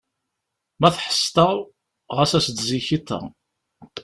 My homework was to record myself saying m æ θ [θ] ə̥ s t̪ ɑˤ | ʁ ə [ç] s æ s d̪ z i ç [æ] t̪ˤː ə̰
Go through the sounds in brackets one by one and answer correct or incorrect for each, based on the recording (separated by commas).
incorrect, incorrect, incorrect